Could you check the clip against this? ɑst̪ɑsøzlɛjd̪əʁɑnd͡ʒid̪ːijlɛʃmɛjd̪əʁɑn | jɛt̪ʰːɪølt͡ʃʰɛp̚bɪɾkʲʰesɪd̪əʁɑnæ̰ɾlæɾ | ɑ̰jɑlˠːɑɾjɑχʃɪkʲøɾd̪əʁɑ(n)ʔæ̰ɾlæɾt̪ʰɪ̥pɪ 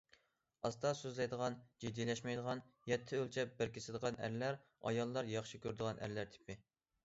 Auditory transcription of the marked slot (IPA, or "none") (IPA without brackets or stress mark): n